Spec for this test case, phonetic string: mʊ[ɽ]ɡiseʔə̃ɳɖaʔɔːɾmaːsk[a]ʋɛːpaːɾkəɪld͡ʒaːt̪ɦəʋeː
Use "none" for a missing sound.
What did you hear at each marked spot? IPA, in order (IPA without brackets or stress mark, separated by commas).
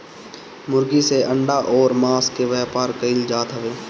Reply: ɾ, e